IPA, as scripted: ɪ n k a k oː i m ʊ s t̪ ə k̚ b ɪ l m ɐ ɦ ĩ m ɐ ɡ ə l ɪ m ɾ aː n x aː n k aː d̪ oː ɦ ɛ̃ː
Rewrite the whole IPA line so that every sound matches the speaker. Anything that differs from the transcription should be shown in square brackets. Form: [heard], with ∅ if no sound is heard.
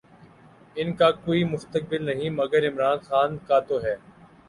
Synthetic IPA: ɪ n k a k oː i m ʊ s t̪ ə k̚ b ɪ l [n] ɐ ɦ ĩ m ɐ ɡ ə [ɾ] ɪ m ɾ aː n x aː n k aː [t̪] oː ɦ [ɛː]